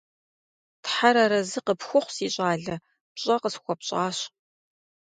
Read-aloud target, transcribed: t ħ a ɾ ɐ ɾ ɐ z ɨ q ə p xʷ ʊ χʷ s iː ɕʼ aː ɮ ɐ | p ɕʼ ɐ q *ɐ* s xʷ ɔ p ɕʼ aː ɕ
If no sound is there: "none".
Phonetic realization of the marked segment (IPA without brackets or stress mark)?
ə